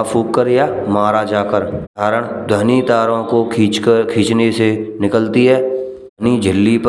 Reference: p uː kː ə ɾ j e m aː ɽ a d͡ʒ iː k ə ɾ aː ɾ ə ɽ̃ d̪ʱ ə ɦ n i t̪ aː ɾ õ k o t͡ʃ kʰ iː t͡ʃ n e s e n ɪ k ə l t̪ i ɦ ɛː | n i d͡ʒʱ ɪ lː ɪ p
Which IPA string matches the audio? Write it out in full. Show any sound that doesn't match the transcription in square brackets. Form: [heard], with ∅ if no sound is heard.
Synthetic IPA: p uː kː ə ɾ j [a] m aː [ɾ] a d͡ʒ [aː] k ə ɾ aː ɾ ə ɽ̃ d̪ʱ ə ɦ n i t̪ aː ɾ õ k o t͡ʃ kʰ iː t͡ʃ n e s e n ɪ k ə l t̪ i ɦ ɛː | n i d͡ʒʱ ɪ lː [i] p